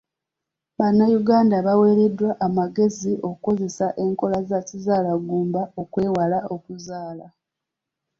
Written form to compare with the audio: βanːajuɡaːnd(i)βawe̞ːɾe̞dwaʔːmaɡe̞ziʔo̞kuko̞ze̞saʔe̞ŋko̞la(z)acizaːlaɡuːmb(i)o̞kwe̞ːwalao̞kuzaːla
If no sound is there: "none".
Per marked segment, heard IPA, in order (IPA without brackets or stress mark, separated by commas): a, z, a